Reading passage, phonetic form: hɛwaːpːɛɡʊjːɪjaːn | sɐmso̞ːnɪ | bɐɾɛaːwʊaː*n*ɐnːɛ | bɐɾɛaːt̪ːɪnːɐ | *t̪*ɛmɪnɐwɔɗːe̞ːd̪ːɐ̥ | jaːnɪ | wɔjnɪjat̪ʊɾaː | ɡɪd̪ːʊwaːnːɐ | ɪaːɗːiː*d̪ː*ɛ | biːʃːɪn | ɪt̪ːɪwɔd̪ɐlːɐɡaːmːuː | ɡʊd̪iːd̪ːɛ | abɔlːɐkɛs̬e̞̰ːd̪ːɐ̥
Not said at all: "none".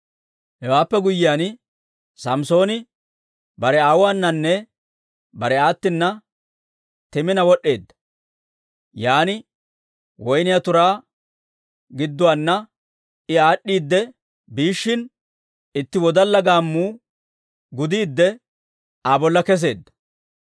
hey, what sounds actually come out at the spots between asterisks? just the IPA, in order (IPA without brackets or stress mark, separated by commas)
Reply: nː, t̪, d̪ː